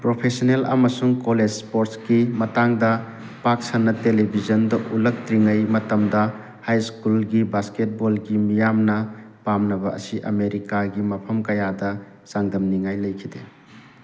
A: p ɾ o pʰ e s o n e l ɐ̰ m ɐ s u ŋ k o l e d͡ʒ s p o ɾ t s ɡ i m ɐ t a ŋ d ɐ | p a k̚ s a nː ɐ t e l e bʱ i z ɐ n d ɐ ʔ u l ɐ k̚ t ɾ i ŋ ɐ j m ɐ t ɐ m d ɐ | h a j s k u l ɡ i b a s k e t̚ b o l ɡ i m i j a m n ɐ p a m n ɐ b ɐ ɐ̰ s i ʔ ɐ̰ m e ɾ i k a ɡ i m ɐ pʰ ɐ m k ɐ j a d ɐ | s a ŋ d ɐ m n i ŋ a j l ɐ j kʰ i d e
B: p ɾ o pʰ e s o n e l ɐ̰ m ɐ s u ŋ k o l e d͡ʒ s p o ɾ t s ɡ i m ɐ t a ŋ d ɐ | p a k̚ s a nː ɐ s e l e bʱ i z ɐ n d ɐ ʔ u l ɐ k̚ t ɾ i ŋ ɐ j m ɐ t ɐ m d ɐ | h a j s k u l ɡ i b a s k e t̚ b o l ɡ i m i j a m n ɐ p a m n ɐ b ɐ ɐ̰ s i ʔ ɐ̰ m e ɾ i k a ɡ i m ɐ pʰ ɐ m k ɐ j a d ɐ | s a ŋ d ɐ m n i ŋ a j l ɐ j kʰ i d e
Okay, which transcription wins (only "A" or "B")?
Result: A